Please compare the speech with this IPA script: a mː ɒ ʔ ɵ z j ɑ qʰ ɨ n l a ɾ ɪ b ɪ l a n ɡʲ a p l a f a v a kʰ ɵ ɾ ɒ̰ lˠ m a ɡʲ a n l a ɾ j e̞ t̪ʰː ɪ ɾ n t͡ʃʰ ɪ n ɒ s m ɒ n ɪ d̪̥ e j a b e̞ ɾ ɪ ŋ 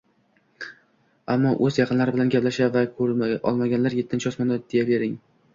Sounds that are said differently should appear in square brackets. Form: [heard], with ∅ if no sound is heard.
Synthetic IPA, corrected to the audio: a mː ɒ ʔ ɵ z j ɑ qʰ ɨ n l a ɾ ɪ b ɪ l a n ɡʲ a p l a [ʃ] a v a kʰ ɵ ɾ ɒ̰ lˠ m a ɡʲ a n l a ɾ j e̞ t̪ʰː ɪ [∅] n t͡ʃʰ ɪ [∅] ɒ s m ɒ n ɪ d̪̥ e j a b e̞ ɾ ɪ ŋ